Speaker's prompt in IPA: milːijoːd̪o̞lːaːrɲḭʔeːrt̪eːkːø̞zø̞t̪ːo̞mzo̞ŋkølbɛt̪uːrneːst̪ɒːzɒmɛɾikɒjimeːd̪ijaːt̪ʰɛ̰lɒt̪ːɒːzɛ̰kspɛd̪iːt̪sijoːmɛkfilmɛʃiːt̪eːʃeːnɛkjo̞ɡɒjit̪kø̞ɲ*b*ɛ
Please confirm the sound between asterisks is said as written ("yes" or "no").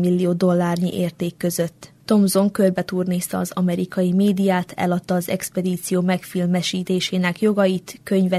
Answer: no